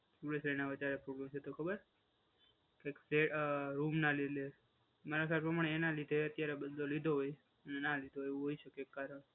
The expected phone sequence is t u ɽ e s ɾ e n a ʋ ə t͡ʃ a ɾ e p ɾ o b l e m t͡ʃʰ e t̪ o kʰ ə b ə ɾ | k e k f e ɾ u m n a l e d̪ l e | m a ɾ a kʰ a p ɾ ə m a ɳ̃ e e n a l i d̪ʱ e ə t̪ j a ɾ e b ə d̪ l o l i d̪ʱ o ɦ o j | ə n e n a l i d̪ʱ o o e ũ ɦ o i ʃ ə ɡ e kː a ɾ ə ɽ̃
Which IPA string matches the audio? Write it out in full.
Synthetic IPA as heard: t u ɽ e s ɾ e n a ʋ ə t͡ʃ a ɾ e p ɾ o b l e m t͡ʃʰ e t̪ o kʰ ə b ə ɾ | k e k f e ɾ u m n a l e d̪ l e | m a ɾ a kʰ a p ɾ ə m a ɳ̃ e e n a l i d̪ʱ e ə t̪ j a ɾ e b ə d̪ l o l i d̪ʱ o ɦ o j | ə n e n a l i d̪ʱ o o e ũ ɦ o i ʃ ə k e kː a ɾ ə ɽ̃